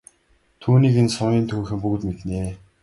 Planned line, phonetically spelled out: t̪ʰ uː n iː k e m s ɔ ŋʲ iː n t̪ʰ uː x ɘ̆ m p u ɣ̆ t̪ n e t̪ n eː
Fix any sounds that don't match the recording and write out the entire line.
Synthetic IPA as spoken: t̪ʰ uː n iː k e n s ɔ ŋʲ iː n t̪ʰ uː x ɘ̆ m p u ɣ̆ t̪ m e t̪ n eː